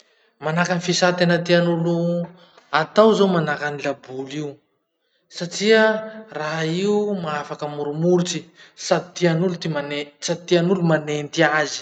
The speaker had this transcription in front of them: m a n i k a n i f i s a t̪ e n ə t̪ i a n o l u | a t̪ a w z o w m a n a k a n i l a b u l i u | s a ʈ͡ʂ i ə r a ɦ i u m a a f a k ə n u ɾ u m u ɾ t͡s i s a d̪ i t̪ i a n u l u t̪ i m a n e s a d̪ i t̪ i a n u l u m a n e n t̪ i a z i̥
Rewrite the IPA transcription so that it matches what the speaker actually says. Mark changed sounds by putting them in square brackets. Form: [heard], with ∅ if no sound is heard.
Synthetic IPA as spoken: m a n [a] k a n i f i s a t̪ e n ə t̪ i a n [u] l u | a t̪ a w z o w m a n a k a n i l a b u l i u | s a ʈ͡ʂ i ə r a ɦ i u m a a f a k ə [m] u ɾ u m u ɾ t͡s i s a d̪ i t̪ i a n u l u t̪ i m a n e s a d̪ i t̪ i a n u l u m a n e n t̪ i a z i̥